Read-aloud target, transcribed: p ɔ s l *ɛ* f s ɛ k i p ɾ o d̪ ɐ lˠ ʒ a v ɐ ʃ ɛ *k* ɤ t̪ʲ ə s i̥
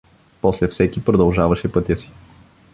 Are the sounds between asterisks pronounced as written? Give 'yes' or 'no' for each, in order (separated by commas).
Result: yes, no